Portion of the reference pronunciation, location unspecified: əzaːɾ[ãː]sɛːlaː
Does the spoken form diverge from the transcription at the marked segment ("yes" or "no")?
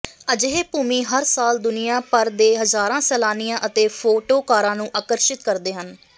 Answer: no